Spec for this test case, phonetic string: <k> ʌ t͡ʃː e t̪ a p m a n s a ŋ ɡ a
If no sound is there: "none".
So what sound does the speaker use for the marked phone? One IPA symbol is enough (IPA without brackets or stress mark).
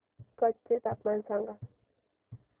k